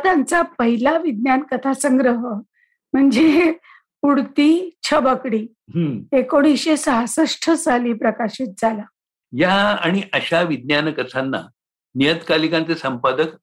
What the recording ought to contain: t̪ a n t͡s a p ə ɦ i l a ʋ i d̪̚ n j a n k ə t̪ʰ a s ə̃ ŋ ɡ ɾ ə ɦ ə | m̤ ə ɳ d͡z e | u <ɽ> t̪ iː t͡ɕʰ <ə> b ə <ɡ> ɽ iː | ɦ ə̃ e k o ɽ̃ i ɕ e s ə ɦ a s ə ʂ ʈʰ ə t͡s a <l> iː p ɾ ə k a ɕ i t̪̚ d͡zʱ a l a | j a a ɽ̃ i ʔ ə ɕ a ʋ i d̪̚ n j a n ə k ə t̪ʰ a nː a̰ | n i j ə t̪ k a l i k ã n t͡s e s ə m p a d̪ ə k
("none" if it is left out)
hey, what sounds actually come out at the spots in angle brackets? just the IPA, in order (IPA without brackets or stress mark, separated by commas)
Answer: ɽ, ə, k, l